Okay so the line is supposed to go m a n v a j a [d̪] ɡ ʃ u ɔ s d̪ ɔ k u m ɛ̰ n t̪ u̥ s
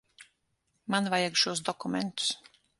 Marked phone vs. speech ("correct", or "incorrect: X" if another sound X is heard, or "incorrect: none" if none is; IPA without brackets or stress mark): incorrect: none